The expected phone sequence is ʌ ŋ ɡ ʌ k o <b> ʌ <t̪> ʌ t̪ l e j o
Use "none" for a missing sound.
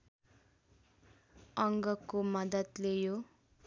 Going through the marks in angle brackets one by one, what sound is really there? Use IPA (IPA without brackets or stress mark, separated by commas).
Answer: m, d̪